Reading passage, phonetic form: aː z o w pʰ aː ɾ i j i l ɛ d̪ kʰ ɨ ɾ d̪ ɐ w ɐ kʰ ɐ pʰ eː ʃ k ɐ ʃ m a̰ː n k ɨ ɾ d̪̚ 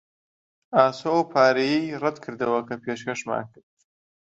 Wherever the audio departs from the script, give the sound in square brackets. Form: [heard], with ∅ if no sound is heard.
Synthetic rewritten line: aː [s] o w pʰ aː ɾ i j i [r] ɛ d̪ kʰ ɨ ɾ d̪ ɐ w ɐ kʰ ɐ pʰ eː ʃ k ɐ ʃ m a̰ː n k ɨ ɾ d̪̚